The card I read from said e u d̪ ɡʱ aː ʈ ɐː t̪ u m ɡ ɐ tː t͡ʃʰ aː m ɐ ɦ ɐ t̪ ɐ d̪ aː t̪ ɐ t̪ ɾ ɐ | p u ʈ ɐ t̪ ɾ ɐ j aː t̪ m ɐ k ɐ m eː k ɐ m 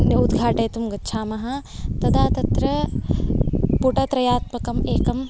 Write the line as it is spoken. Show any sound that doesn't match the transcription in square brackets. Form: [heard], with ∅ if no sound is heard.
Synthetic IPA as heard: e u d̪ ɡʱ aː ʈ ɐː t̪ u m ɡ ɐ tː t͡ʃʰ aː m ɐ ɦ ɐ t̪ ɐ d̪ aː t̪ ɐ t̪ ɾ ɐ | p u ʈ ɐ t̪ ɾ ɐ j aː t̪ m ɐ k ɐ m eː k ɐ m